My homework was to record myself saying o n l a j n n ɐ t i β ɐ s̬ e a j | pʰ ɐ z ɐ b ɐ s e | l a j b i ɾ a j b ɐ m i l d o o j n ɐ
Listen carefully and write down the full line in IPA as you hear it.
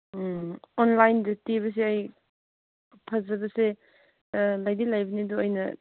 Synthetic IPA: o n l a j n d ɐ t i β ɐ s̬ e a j | pʰ ɐ z ɐ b ɐ s e | l a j d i l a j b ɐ n i d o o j n ɐ